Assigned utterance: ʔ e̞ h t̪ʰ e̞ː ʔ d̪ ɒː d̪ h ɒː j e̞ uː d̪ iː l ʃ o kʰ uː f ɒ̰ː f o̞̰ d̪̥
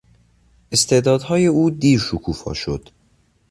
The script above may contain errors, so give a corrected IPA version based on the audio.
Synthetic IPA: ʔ e̞ s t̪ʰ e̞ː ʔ d̪ ɒː d̪ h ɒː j e̞ uː d̪ iː ɾ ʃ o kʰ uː f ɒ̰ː ʃ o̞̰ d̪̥